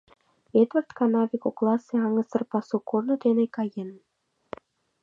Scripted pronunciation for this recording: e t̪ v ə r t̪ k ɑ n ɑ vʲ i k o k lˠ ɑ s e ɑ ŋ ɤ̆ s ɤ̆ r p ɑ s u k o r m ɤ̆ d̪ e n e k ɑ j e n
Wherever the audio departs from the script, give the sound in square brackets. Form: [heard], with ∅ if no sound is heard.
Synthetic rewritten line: e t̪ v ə r t̪ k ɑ n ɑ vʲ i k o k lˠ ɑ s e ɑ ŋ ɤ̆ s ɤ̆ r p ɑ s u k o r [n] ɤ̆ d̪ e n e k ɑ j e n